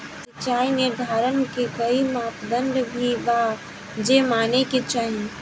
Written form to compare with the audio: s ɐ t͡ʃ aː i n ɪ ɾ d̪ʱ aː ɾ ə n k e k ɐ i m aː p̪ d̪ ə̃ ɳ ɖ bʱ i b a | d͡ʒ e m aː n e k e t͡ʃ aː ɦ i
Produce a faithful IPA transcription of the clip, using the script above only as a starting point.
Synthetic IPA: s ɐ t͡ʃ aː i n ɪ ɾ d̪ʱ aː ɾ ə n k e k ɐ i m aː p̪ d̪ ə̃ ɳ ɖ bʱ i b a | d͡ʒ e m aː n e k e t͡ʃ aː ɦ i